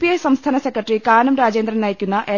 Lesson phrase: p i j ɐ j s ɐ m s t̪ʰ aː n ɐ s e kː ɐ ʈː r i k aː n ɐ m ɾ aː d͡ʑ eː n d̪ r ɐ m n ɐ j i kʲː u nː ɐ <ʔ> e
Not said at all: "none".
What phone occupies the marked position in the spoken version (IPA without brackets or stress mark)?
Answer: ʔ